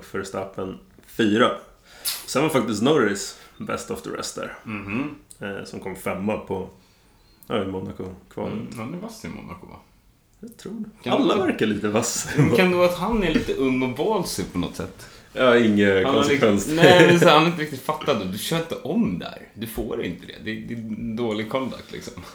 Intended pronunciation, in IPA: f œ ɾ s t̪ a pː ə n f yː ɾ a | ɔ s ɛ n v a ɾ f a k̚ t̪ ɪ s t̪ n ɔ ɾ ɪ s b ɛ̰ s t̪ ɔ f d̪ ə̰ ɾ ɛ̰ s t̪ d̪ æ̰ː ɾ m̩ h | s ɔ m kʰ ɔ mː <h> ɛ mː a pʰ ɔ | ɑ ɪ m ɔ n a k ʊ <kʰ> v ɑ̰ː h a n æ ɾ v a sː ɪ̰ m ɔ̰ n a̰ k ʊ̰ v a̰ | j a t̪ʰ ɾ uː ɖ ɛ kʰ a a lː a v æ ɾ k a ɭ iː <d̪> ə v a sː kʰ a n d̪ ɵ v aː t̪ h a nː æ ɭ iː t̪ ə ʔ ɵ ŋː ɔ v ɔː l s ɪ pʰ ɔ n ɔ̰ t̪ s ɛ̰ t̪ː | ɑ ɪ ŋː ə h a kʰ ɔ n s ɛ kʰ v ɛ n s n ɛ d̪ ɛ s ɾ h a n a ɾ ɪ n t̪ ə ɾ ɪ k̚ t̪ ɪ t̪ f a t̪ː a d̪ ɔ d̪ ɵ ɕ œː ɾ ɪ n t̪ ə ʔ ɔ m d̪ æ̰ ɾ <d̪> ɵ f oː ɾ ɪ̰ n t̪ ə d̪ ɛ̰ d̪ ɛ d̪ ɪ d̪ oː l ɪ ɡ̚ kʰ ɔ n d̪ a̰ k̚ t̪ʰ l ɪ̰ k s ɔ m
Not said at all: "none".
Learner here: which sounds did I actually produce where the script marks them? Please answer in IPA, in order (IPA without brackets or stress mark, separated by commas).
f, kʰ, t̪, d̪